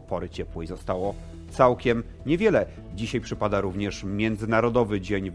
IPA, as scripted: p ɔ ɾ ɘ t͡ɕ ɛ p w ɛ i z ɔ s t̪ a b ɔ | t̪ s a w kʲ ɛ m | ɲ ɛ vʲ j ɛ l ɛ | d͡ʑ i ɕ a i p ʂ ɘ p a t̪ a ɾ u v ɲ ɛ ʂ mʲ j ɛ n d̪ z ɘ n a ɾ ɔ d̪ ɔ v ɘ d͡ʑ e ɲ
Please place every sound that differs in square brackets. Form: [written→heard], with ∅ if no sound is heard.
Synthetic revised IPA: p ɔ ɾ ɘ t͡ɕ ɛ p w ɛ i z ɔ s t̪ a [b→w] ɔ | t̪ s a w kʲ ɛ m | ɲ ɛ vʲ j ɛ l ɛ | d͡ʑ i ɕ a [i→j] p ʂ ɘ p a [t̪→d̪] a ɾ u v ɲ ɛ ʂ mʲ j ɛ n d̪ z ɘ n a ɾ ɔ d̪ ɔ v ɘ d͡ʑ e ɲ